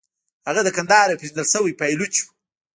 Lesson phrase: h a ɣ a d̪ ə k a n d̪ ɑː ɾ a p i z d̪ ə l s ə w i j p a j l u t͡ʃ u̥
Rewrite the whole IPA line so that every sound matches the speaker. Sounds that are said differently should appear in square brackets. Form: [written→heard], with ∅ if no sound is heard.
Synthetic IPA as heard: h a ɣ a d̪ ə k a n d̪ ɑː ɾ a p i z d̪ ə l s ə w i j p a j l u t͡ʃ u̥